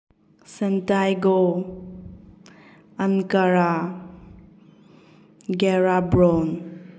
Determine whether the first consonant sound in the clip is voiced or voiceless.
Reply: voiceless